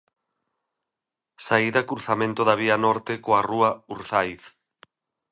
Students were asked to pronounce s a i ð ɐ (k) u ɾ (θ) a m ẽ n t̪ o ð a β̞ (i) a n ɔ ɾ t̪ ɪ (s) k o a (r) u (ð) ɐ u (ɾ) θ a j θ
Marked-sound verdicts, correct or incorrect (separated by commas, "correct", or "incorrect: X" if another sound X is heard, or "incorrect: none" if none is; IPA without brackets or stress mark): correct, correct, correct, incorrect: none, correct, incorrect: none, correct